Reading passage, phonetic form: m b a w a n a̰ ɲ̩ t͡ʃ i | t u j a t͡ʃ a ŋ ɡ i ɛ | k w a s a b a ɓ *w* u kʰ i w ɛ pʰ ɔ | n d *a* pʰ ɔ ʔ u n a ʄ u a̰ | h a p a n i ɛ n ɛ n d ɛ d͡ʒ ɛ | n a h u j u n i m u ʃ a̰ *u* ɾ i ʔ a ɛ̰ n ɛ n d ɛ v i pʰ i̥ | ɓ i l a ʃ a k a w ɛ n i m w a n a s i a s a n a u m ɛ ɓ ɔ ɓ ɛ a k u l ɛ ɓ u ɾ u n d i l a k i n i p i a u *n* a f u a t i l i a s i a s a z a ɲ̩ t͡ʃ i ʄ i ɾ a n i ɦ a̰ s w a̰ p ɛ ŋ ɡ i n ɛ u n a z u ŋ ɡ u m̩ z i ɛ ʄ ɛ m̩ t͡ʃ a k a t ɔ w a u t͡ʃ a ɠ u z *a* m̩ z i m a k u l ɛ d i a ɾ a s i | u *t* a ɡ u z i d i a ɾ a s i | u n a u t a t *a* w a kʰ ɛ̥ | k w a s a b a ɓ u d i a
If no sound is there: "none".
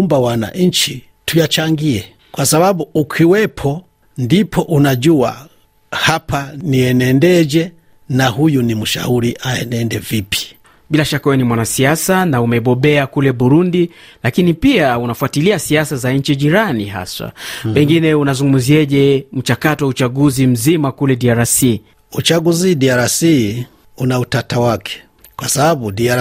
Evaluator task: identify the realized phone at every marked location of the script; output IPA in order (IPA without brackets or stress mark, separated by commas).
u, i, u, n, i, t͡ʃ, a